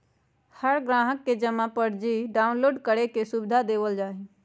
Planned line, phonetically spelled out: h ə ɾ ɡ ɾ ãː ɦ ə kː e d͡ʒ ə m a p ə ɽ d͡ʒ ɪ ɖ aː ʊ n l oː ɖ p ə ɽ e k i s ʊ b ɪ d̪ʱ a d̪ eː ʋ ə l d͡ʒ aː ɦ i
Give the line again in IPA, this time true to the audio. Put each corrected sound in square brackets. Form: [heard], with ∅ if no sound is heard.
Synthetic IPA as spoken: h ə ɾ ɡ ɾ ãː ɦ ə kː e d͡ʒ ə m a p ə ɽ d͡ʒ [i] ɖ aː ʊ n l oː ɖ [k] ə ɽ e k [e] s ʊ b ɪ d̪ʱ a d̪ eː ʋ ə l d͡ʒ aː ɦ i